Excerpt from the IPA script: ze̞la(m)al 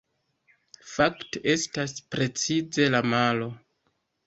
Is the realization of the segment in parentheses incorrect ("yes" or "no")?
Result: no